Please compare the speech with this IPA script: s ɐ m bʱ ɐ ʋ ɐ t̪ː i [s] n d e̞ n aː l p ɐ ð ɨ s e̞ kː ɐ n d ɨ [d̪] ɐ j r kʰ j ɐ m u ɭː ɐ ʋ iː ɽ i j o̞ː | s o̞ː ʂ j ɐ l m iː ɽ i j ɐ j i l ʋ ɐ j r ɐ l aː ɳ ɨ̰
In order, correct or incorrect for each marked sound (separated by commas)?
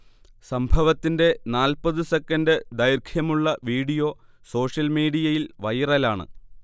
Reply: incorrect, correct